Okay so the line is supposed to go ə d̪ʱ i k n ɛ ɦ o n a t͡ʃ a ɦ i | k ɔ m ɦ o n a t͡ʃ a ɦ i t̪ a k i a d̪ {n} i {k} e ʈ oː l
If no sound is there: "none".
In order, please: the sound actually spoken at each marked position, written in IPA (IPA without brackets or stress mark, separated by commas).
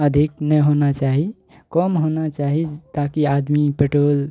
m, p